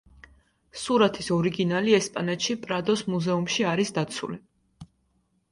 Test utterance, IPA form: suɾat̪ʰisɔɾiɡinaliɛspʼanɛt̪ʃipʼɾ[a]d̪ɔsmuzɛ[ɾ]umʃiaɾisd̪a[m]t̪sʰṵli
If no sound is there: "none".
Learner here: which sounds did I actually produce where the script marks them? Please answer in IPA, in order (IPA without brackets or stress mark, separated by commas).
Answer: a, none, none